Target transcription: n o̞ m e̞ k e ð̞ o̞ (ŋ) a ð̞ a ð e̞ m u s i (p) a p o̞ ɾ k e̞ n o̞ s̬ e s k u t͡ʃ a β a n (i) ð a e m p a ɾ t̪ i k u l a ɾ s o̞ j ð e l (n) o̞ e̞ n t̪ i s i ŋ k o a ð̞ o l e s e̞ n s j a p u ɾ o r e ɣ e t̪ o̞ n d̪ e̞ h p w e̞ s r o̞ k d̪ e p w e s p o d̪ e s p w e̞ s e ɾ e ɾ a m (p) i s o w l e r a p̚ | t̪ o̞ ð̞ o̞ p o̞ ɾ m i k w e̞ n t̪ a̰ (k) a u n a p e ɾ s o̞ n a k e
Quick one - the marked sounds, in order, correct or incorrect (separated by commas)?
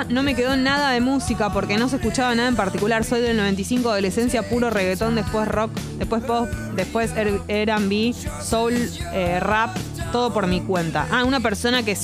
incorrect, incorrect, incorrect, correct, incorrect, incorrect